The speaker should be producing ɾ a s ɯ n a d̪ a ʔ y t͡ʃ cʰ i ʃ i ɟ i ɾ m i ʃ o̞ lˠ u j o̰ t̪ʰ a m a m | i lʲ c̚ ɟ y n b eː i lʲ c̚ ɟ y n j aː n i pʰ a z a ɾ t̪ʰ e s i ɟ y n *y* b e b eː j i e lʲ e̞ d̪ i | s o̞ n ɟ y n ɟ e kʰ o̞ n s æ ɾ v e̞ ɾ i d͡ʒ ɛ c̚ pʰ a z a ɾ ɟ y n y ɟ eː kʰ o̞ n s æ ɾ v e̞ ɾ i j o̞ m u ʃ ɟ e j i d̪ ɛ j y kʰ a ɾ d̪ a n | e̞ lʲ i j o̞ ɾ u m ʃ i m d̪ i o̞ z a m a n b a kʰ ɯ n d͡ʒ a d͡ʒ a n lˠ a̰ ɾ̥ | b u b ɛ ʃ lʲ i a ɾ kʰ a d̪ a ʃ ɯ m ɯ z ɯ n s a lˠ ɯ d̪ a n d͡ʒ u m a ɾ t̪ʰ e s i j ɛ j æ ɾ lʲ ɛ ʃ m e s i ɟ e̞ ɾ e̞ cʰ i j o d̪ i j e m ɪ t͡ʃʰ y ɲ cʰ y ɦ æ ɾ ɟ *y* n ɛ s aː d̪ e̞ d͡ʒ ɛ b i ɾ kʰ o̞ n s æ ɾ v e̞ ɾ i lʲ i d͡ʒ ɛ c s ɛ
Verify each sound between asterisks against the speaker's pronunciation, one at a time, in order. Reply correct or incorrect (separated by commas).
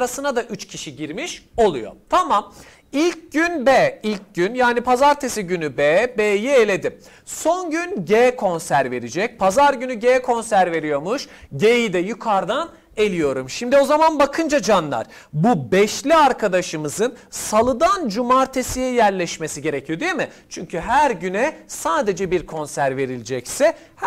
correct, correct